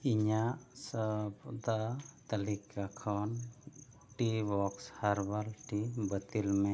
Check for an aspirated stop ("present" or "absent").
present